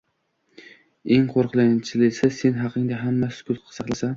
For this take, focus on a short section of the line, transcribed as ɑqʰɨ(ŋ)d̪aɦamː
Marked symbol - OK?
yes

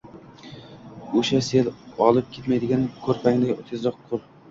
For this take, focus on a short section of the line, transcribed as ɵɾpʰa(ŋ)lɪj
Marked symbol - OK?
yes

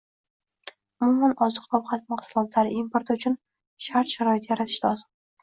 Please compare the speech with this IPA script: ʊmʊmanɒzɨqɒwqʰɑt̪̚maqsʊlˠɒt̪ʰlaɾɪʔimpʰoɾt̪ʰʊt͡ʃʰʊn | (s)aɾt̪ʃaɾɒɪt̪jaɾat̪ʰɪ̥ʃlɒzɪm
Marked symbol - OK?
no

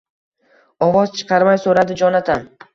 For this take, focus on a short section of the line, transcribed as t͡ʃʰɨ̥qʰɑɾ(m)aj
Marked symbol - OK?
yes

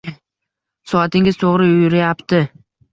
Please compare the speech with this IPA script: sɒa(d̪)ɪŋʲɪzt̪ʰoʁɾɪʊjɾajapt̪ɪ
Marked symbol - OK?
no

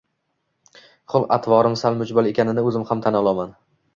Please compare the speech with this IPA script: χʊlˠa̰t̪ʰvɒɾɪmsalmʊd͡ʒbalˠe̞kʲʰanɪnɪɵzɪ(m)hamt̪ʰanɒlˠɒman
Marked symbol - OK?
yes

